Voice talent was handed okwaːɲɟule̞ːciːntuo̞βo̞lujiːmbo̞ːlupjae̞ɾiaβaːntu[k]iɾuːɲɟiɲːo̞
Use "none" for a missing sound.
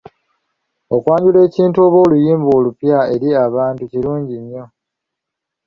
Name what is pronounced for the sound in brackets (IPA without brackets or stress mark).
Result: c